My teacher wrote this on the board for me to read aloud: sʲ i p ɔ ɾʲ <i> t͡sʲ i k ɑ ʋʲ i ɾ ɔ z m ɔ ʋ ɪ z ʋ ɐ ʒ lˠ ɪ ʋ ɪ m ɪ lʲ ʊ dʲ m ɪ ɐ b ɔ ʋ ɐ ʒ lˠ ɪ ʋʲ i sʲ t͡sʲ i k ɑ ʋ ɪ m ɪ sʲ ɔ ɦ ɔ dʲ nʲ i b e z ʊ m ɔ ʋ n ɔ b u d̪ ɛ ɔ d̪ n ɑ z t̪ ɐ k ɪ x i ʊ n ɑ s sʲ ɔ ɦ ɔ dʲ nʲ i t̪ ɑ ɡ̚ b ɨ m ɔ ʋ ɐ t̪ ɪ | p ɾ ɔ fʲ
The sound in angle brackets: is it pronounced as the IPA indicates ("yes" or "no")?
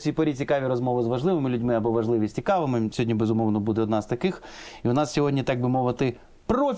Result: yes